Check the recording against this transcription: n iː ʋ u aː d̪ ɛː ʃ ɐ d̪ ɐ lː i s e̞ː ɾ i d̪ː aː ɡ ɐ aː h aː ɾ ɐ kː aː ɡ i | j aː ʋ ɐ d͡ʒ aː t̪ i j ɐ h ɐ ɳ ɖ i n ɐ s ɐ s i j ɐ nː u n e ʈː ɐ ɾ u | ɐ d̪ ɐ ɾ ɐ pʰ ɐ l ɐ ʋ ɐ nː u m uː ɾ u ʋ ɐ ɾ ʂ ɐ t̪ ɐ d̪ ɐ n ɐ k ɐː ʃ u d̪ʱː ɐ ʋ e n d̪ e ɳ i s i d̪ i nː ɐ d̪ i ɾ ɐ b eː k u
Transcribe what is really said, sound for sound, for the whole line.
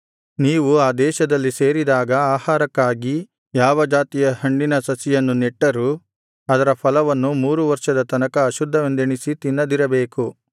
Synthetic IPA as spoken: n iː ʋ u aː d̪ ɛː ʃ ɐ d̪ ɐ lː i s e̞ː ɾ i d̪ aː ɡ ɐ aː h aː ɾ ɐ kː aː ɡ i | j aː ʋ ɐ d͡ʒ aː t̪ i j ɐ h ɐ ɳ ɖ i n ɐ s ɐ s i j ɐ nː u n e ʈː ɐ ɾ u | ɐ d̪ ɐ ɾ ɐ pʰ ɐ l ɐ ʋ ɐ nː u m uː ɾ u ʋ ɐ ɾ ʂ ɐ d̪ ɐ t̪ ɐ n ɐ k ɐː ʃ u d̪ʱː ɐ ʋ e n d̪ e ɳ i s i t̪ i nː ɐ d̪ i ɾ ɐ b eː k u